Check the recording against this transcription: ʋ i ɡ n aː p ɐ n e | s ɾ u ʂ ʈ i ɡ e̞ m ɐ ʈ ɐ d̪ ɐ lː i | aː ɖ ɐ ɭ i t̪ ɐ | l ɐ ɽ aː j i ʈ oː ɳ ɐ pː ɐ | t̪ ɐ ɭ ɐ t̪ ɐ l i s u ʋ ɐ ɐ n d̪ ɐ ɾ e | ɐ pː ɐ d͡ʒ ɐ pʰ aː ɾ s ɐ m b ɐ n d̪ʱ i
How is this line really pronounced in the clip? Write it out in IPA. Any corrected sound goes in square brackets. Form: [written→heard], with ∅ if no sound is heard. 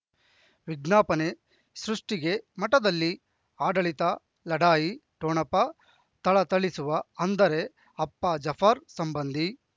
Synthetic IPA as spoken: ʋ i ɡ n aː p ɐ n e | s ɾ u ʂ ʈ i ɡ e̞ m ɐ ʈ ɐ d̪ ɐ lː i | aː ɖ ɐ ɭ i t̪ ɐ | l ɐ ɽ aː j i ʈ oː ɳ ɐ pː ɐ | t̪ ɐ ɭ ɐ t̪ ɐ [l→ɭ] i s u ʋ ɐ ɐ n d̪ ɐ ɾ e | ɐ pː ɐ d͡ʒ ɐ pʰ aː ɾ s ɐ m b ɐ n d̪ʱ i